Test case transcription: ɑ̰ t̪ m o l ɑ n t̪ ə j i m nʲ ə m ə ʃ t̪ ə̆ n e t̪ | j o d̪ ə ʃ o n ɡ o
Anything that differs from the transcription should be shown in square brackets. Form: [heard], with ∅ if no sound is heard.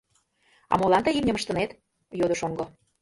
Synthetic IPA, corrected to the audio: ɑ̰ [∅] m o l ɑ n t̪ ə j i m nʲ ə m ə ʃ t̪ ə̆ n e t̪ | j o d̪ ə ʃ o [ŋ] ɡ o